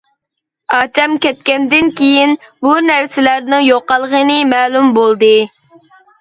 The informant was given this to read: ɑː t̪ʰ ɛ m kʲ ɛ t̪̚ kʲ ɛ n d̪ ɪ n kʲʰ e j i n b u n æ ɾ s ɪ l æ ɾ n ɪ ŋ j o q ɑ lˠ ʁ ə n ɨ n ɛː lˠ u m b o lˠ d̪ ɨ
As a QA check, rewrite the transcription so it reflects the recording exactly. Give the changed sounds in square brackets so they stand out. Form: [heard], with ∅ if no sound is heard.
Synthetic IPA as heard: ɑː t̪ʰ ɛ m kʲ ɛ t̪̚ kʲ ɛ n d̪ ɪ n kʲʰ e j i n b u n æ ɾ s ɪ l æ ɾ n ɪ ŋ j o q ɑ lˠ ʁ ə n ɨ [m] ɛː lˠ u m b o lˠ d̪ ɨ